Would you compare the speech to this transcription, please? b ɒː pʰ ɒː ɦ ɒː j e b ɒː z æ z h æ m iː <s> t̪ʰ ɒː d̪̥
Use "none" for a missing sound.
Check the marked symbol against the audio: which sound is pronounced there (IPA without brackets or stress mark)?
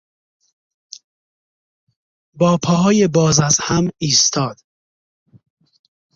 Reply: s